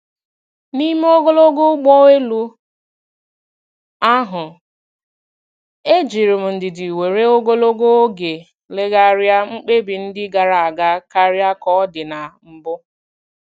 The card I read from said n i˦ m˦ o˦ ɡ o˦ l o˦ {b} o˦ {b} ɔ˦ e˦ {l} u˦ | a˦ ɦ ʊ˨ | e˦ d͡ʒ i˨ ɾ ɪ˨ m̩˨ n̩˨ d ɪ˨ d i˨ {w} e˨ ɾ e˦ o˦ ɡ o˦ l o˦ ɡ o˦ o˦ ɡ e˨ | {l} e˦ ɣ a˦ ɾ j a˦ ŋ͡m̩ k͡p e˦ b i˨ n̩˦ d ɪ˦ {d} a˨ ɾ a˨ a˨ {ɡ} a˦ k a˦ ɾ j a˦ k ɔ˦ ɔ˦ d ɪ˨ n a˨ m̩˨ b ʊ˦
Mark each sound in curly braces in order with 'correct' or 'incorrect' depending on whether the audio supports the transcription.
incorrect: ɡ, incorrect: ɡ͡b, correct, correct, correct, incorrect: ɡ, correct

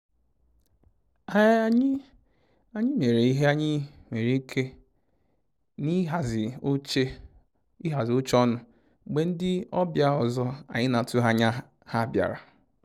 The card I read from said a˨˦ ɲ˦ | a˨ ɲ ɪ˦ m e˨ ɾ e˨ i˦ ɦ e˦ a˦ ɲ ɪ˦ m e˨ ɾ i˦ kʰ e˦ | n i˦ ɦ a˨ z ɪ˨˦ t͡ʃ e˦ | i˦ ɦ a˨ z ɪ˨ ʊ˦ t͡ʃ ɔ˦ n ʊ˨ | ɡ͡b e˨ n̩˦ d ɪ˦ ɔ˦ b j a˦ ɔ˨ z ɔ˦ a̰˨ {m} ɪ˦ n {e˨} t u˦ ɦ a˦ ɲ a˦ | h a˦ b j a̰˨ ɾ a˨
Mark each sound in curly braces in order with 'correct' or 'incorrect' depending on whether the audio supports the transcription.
incorrect: ɲ, incorrect: a˨

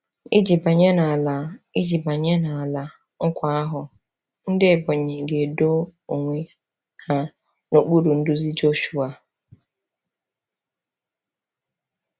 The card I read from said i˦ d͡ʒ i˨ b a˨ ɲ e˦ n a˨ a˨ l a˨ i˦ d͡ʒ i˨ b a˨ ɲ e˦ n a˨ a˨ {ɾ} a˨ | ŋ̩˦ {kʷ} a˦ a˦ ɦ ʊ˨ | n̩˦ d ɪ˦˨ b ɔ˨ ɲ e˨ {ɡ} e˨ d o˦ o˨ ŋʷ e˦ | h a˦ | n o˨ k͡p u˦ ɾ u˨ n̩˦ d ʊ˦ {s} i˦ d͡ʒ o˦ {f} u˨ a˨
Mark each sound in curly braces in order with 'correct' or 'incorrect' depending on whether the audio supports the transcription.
incorrect: l, correct, correct, incorrect: z, incorrect: ʃ

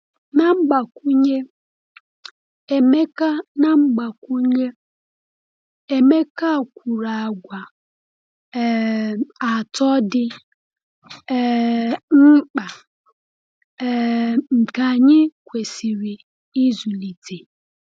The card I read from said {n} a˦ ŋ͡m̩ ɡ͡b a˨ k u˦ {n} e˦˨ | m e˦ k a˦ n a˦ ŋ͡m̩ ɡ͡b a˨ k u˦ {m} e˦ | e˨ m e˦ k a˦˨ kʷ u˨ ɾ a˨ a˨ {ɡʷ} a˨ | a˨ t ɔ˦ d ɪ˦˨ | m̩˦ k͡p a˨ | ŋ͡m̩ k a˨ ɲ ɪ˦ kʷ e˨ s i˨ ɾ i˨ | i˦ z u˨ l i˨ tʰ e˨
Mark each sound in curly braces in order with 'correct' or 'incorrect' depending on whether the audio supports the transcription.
correct, incorrect: ɲ, incorrect: ɲ, correct

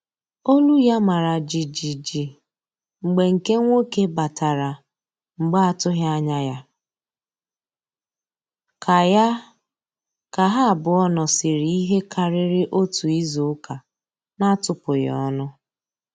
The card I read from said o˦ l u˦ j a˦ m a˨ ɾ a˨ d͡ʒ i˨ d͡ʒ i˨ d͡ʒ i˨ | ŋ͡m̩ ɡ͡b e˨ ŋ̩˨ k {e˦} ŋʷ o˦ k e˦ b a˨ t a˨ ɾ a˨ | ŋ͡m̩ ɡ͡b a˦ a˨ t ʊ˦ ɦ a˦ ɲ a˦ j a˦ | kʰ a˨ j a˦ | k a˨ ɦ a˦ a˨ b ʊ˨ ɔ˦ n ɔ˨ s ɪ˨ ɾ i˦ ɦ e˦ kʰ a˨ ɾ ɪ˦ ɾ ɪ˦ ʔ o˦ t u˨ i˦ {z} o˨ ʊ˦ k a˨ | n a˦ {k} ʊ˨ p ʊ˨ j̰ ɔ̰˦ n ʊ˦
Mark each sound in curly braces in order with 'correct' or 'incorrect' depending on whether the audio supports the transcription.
correct, correct, incorrect: t

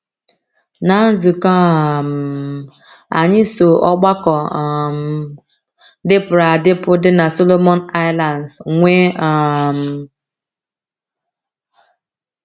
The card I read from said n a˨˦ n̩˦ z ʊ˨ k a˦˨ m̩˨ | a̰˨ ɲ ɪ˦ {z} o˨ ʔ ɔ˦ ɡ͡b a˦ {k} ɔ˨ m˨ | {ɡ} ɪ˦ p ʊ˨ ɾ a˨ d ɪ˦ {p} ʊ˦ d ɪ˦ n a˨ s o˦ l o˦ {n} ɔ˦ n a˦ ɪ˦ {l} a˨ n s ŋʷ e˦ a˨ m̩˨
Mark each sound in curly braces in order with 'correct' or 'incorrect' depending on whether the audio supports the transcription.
incorrect: s, correct, incorrect: d, correct, incorrect: m, correct

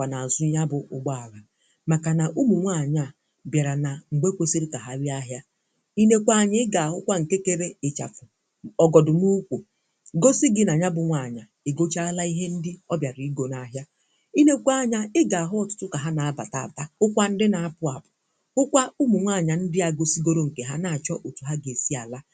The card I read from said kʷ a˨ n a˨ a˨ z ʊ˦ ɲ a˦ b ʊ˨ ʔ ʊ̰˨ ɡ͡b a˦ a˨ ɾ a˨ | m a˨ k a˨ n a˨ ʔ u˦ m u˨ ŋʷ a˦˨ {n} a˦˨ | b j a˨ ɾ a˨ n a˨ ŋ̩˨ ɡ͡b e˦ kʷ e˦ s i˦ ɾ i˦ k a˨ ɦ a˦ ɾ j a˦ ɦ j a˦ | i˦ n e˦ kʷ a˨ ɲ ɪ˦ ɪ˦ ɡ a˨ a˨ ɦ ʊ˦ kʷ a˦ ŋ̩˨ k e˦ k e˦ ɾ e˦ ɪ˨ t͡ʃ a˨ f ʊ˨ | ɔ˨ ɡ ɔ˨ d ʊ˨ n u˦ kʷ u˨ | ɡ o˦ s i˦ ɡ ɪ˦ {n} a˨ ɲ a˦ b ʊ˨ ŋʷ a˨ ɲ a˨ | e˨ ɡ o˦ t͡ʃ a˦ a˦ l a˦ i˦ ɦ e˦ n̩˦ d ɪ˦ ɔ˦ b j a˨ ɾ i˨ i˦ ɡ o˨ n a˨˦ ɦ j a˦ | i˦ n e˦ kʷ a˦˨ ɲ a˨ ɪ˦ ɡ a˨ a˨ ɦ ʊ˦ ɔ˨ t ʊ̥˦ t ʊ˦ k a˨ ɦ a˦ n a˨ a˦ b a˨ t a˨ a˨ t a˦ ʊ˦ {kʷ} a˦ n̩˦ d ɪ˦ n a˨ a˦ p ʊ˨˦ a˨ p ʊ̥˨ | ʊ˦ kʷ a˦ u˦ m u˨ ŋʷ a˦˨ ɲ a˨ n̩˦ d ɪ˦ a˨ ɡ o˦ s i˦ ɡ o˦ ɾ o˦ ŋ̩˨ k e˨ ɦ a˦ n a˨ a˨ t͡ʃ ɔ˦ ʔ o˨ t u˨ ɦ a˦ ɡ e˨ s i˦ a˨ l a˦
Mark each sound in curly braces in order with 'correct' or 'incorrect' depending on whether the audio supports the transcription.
incorrect: ɲ, correct, correct

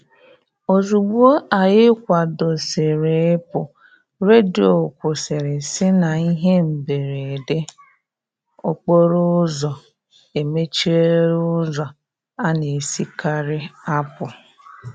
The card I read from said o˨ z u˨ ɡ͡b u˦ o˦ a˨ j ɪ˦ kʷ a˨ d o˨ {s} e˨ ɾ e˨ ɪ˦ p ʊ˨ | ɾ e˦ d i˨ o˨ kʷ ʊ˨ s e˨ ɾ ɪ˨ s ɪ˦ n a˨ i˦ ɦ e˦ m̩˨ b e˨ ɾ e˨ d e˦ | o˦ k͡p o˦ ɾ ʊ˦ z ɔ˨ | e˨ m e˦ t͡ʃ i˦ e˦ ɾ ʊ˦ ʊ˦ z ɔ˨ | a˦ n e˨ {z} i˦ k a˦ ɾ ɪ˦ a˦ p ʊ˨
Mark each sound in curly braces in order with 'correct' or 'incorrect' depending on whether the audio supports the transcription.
correct, incorrect: s

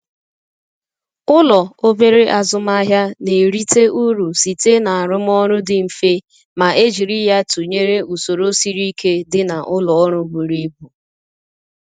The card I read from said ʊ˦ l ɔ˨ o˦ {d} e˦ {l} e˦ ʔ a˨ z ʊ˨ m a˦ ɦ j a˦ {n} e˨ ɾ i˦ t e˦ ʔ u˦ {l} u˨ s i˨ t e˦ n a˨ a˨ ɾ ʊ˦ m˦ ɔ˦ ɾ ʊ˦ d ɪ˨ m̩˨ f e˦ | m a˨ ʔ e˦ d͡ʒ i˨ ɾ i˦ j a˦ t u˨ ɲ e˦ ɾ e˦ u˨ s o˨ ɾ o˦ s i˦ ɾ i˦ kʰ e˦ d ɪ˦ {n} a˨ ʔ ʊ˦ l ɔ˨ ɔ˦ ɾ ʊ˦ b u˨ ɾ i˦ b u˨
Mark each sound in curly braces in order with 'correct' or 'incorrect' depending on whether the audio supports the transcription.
incorrect: b, incorrect: ɾ, correct, incorrect: ɾ, correct

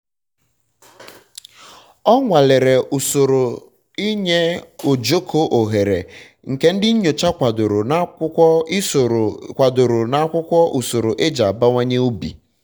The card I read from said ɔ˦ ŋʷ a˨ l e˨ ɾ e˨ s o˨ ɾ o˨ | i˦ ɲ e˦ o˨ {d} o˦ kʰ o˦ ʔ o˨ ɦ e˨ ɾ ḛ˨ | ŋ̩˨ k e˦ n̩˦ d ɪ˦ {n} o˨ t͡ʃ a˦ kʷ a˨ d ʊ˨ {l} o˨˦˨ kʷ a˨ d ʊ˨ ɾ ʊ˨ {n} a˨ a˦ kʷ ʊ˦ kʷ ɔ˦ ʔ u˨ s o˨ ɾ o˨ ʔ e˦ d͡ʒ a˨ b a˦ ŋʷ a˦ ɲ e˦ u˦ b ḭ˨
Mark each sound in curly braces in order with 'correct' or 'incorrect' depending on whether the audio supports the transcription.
incorrect: d͡ʒ, incorrect: ɲ, incorrect: ɾ, correct

